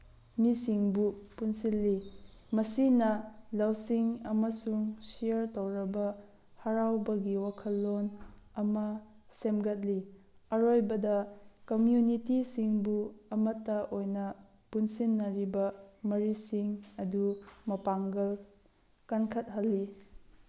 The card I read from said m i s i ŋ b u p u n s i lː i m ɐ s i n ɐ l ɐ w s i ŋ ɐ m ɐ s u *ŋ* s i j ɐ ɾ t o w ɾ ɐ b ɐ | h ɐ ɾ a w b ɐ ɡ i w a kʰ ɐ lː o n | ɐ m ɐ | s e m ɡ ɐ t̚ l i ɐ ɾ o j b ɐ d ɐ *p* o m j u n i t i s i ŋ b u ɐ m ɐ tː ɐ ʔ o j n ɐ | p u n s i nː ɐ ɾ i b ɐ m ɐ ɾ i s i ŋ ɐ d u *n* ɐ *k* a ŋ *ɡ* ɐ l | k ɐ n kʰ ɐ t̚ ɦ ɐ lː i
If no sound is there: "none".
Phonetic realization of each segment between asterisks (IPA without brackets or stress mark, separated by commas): ŋ, k, m, p, ɡ